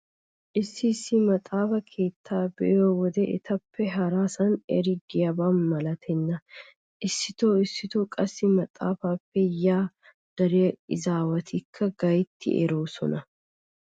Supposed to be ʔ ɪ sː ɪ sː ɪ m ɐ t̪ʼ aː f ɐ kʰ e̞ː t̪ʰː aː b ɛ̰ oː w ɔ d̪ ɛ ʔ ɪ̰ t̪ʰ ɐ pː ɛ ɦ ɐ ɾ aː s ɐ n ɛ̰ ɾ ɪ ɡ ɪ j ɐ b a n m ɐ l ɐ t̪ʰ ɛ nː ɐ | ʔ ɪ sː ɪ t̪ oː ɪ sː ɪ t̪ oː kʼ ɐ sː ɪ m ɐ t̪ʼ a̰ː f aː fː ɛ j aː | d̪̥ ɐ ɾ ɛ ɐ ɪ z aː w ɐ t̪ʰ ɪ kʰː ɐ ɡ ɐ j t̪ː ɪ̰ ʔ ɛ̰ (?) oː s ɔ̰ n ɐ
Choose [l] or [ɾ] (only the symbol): ɾ